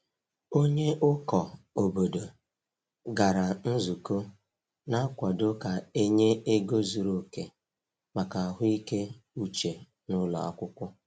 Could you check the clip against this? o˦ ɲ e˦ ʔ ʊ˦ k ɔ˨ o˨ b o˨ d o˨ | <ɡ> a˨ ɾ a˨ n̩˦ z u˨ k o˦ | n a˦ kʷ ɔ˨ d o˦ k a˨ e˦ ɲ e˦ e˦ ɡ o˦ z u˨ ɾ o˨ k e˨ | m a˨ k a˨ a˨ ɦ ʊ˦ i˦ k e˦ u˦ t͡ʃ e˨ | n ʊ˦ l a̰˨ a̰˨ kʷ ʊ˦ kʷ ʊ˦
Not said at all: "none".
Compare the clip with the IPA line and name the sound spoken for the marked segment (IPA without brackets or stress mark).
ɡ